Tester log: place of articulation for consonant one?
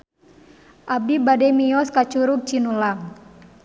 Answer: glottal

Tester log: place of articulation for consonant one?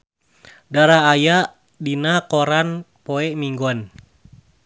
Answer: alveolar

